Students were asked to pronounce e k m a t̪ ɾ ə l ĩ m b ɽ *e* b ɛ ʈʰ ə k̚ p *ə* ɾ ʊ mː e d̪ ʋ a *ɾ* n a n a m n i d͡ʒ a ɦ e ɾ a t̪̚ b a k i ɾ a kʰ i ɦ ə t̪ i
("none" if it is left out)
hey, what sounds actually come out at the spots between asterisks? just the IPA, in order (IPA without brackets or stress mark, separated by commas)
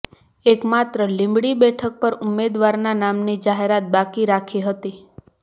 i, ə, ɾ